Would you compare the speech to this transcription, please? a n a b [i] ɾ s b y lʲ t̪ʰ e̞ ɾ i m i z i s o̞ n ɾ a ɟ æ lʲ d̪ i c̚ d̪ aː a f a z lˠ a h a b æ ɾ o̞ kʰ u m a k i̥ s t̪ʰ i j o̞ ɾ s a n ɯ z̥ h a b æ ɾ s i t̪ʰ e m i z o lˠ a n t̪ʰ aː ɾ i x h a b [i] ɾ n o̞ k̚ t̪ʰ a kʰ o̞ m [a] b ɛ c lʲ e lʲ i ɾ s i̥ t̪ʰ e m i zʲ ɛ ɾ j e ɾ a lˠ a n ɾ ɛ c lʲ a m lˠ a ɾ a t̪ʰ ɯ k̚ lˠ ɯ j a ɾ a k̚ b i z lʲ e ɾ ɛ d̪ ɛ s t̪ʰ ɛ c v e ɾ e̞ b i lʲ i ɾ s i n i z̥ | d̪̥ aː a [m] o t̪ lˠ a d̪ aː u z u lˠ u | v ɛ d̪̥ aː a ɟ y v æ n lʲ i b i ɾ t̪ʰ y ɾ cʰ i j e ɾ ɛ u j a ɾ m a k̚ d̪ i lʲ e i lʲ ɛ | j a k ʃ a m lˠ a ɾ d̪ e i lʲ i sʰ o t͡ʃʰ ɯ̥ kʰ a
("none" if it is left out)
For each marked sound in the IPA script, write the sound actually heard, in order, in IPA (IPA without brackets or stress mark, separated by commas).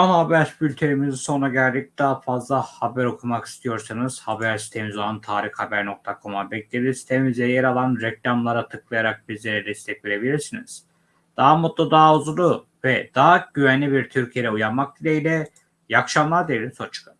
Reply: æ, æ, a, m